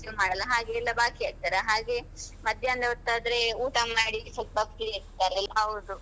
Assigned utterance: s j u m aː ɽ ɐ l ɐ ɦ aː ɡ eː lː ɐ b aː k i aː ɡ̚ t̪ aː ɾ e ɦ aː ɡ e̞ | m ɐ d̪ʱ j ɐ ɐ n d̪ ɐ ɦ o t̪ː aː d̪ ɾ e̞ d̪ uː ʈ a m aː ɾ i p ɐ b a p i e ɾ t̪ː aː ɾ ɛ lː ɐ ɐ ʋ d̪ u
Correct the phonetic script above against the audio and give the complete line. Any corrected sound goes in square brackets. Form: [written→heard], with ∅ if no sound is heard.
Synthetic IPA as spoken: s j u m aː ɽ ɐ l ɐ ɦ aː ɡ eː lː ɐ b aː k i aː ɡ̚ t̪ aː ɾ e ɦ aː ɡ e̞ | m ɐ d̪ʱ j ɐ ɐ n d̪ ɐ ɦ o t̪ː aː d̪ ɾ e̞ [d̪→∅] uː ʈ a m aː [ɾ→ɽ] i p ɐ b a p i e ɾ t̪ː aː ɾ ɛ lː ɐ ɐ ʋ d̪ u